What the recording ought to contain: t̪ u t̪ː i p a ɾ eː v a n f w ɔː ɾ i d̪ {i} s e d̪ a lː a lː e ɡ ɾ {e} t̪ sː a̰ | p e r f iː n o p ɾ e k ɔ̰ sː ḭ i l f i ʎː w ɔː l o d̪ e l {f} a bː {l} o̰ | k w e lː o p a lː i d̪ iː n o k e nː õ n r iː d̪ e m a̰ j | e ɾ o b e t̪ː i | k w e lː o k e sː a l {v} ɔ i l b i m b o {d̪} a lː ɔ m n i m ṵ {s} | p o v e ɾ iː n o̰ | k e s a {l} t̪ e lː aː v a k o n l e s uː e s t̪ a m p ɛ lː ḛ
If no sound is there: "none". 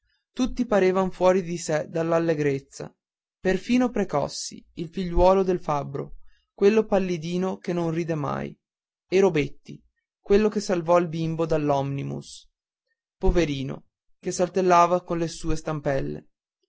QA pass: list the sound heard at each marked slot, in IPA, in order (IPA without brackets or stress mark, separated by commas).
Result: i, e, f, ɾ, v, d̪, s, l